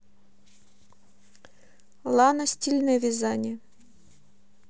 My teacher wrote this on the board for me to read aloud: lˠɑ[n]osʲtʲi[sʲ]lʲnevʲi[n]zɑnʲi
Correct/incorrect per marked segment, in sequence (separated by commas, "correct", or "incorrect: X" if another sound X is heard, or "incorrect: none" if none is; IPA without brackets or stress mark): correct, incorrect: none, incorrect: none